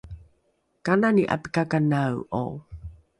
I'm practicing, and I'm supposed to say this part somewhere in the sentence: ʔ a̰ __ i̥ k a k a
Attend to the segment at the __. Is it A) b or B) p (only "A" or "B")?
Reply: B